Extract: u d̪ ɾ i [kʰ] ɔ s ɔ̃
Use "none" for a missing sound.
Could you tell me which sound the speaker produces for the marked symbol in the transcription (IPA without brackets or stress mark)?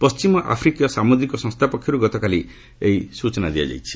k